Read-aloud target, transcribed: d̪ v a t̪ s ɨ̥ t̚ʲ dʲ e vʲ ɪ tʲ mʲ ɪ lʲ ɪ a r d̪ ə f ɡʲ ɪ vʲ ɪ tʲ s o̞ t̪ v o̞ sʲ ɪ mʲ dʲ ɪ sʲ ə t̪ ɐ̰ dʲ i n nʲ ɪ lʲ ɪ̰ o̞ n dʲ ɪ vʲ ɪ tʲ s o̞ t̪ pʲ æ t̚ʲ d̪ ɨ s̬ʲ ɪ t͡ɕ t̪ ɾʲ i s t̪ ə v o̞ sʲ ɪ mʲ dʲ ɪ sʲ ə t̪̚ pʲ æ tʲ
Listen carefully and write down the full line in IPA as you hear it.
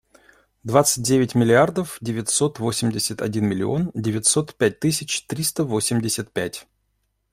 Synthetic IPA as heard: d̪ v a t̪ s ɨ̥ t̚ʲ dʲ e vʲ ɪ tʲ mʲ ɪ lʲ ɪ a r d̪ ə f dʲ ɪ vʲ ɪ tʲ s o̞ t̪ v o̞ sʲ ɪ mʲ dʲ ɪ sʲ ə t̪ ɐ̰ dʲ i n mʲ ɪ lʲ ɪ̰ o̞ n dʲ ɪ vʲ ɪ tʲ s o̞ t̪ pʲ æ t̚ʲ t̪ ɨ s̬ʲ ɪ t͡ɕ t̪ ɾʲ i s t̪ ə v o̞ sʲ ɪ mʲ dʲ ɪ sʲ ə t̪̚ pʲ æ tʲ

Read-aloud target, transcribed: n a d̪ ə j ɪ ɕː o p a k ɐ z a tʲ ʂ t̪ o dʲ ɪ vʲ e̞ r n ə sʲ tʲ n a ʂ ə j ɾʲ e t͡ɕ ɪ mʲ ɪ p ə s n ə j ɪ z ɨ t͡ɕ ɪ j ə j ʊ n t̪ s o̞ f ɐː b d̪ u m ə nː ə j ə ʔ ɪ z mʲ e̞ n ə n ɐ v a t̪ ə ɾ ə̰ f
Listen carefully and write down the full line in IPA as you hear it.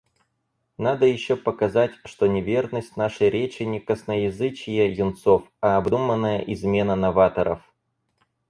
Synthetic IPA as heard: n a d̪ ə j ɪ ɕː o p ə k ɐ z a tʲ ʂ t̪ o nʲ ɪ vʲ e̞ r n ə sʲ tʲ n a ʂ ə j ɾʲ e t͡ɕ ɪ nʲ ɪ k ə s n ə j ɪ z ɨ t͡ɕ ɪ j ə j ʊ n t̪ s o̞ f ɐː b d̪ u m ə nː ə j ə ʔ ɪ z mʲ e̞ n ə n ɐ v a t̪ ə ɾ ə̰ f

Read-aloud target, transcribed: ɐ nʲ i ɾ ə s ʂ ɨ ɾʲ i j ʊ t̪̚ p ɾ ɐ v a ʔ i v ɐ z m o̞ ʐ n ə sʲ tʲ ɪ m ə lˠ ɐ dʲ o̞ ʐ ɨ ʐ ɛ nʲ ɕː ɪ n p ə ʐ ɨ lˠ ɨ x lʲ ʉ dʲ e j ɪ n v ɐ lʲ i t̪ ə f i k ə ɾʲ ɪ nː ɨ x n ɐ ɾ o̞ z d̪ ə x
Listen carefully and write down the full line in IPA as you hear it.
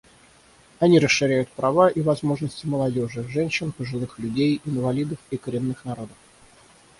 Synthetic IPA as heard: ɐ nʲ i ɾ ə s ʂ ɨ ɾʲ æ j ʊ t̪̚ p ɾ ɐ v a ʔ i v ɐ z m o̞ ʐ n ə sʲ tʲ ɪ m ə lˠ ɐ dʲ o̞ ʐ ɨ ʐ ɛ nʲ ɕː ɪ n p ə ʐ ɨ lˠ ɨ x lʲ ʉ dʲ e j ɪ n v ɐ lʲ i d̪ ə f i k ə ɾʲ ɪ nː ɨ x n ɐ ɾ o̞ d̪ ə f

